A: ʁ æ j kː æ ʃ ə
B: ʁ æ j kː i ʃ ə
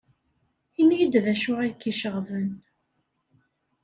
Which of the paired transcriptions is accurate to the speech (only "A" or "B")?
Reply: B